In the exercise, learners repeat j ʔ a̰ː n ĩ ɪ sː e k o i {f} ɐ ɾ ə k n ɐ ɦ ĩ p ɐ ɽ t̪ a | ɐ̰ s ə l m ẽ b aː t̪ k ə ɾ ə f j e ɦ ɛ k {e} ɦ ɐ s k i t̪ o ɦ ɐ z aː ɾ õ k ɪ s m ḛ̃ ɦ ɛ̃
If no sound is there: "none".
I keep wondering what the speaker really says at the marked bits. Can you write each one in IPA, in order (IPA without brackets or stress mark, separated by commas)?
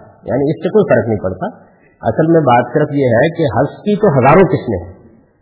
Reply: f, e